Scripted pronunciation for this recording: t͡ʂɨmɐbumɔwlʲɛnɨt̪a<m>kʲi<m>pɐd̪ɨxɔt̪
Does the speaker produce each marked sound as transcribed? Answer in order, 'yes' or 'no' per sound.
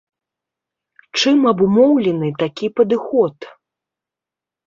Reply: no, no

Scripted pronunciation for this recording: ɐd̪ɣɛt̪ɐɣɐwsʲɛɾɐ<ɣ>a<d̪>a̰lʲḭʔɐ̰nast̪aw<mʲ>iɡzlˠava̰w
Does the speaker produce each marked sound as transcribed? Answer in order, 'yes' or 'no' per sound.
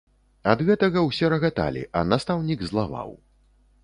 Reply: yes, no, no

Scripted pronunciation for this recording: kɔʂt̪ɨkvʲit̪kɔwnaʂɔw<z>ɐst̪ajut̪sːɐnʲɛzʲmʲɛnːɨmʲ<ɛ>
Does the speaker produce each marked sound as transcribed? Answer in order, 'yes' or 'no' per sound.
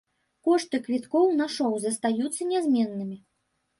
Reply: yes, no

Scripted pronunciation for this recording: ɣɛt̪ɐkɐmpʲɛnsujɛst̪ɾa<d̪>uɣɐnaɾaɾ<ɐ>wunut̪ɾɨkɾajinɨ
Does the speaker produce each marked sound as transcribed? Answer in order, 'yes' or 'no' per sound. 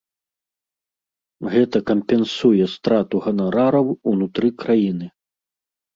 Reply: no, yes

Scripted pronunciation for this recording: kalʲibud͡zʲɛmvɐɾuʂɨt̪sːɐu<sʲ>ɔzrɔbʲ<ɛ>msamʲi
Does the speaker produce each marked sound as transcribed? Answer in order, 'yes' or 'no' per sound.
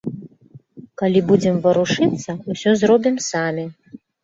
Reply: yes, no

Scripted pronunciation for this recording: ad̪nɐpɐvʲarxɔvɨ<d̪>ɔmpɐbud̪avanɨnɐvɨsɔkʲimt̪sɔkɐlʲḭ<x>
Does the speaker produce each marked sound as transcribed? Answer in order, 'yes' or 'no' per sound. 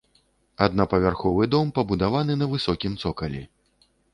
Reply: yes, no

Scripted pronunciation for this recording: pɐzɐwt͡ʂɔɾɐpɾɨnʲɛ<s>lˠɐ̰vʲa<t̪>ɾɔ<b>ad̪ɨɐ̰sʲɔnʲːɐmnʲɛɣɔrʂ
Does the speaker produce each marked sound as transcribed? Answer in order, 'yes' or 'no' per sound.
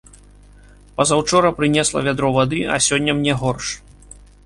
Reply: yes, no, no

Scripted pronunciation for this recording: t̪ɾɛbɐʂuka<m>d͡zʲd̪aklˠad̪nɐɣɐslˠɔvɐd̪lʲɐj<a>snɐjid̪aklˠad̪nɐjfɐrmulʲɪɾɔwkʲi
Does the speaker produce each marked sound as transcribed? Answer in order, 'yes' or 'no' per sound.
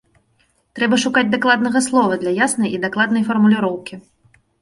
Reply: no, yes

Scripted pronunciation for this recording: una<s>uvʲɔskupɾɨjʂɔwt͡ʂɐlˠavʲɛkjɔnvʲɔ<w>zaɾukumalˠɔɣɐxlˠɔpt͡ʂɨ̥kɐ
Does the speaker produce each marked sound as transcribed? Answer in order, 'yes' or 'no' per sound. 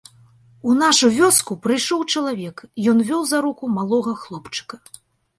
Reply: no, yes

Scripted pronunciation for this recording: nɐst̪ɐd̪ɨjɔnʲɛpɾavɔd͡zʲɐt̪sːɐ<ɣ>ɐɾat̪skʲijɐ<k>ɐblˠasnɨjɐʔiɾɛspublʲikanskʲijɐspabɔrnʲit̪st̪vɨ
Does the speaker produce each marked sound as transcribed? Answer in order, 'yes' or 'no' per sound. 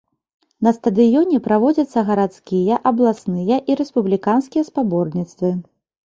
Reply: yes, no

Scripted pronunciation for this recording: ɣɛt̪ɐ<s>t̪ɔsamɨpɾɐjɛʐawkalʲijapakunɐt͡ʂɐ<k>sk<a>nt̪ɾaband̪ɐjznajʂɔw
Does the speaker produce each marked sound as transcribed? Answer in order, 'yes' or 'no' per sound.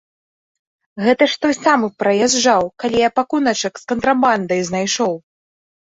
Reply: no, yes, no

